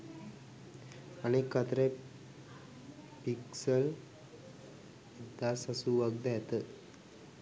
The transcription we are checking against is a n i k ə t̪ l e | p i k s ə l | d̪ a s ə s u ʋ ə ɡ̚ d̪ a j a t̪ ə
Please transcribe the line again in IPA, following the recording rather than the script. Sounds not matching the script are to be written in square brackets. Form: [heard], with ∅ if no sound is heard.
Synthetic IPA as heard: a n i k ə t̪ [ɾ] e | p i k s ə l | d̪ a s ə s u ʋ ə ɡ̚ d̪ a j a t̪ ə